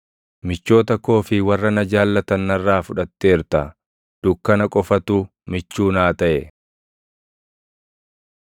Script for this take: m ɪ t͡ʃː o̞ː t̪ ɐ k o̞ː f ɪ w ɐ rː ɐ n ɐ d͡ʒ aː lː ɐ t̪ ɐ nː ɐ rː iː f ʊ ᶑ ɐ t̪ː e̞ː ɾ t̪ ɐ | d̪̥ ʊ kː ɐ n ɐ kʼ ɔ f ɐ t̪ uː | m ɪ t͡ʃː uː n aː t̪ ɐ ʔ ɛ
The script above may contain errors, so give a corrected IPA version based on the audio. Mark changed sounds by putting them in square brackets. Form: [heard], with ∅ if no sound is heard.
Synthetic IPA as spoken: m ɪ t͡ʃː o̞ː t̪ ɐ k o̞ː f ɪ w ɐ rː ɐ n ɐ d͡ʒ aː lː ɐ t̪ ɐ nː ɐ rː [aː] f ʊ ᶑ ɐ t̪ː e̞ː ɾ t̪ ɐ | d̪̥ ʊ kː ɐ n ɐ kʼ ɔ f ɐ t̪ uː | m ɪ t͡ʃː uː n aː t̪ ɐ ʔ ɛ